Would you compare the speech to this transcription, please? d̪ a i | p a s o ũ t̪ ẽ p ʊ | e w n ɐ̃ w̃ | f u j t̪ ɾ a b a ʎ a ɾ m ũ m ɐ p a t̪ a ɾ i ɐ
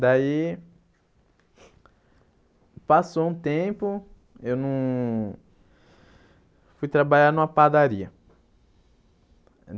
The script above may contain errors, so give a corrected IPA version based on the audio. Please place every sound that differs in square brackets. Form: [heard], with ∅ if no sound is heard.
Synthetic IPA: d̪ a i | p a s o ũ t̪ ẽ p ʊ | e w n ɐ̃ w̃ | f u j t̪ ɾ a b a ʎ a ɾ [n] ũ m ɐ p a [d̪] a ɾ i ɐ